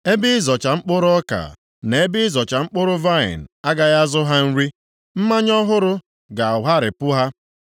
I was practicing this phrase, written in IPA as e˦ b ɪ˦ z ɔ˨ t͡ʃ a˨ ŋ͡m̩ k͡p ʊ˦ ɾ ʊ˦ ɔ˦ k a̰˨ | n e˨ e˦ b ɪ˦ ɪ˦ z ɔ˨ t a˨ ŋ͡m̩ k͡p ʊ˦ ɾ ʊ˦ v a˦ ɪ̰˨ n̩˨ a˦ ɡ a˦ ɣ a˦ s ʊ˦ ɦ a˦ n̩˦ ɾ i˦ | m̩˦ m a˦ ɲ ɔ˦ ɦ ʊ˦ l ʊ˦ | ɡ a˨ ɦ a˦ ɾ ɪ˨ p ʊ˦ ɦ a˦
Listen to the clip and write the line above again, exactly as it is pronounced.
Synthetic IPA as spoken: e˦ b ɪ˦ z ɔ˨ t͡ʃ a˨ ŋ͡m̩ k͡p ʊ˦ ɾ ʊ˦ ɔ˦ k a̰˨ | n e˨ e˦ b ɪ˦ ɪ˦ z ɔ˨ t͡ʃ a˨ ŋ͡m̩ k͡p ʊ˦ ɾ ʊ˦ v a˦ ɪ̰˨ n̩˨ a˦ ɡ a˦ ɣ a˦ z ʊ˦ ɦ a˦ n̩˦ ɾ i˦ | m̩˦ m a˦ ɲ ɔ˦ ɦ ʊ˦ ɾ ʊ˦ | ɡ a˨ ɦ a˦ ɾ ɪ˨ p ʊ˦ ɦ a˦